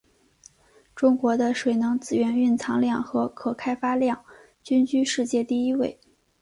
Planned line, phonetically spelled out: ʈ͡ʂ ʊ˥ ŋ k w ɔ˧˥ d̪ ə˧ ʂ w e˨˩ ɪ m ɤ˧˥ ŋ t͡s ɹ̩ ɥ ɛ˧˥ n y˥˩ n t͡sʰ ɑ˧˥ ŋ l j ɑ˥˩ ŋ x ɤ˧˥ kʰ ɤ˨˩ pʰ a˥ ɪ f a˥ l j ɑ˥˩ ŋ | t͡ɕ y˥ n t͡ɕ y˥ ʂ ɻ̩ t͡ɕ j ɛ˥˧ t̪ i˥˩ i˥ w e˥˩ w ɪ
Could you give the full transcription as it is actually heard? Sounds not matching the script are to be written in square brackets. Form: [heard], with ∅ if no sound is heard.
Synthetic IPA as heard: ʈ͡ʂ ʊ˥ ŋ k w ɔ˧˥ d̪ ə˧ ʂ w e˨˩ ɪ [n] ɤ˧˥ ŋ t͡s ɹ̩ ɥ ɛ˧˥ n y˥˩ n t͡sʰ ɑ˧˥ ŋ l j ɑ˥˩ ŋ x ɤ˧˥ kʰ ɤ˨˩ [kʰ] a˥ ɪ f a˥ l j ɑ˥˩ ŋ | t͡ɕ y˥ n t͡ɕ y˥ ʂ ɻ̩ t͡ɕ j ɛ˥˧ t̪ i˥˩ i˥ w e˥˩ [∅] ɪ